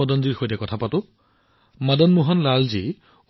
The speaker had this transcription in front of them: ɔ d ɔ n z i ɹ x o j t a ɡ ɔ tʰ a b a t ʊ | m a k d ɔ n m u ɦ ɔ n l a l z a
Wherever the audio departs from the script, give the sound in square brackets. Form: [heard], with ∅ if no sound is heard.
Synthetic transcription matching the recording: ɔ d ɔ n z i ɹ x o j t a [k] ɔ tʰ a [p] a t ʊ | m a [∅] d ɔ n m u ɦ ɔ n l a l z [i]